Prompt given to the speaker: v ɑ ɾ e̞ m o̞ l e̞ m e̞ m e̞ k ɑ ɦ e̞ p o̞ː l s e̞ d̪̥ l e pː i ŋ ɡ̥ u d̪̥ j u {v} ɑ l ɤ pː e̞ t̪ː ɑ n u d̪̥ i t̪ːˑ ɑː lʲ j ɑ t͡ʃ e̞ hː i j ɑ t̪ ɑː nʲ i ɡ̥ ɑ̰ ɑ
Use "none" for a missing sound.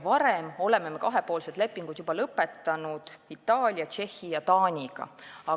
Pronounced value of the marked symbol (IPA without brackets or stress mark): b